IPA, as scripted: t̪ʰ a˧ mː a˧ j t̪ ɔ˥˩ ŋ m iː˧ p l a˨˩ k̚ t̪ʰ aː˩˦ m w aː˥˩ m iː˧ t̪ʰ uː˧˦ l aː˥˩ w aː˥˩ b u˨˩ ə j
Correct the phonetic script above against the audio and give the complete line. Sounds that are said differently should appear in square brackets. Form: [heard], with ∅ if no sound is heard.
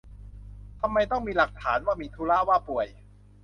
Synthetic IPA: t̪ʰ a˧ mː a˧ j t̪ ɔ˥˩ ŋ m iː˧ [∅] l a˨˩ k̚ t̪ʰ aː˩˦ [n] w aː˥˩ m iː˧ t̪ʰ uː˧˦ l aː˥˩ w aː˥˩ [p] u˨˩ ə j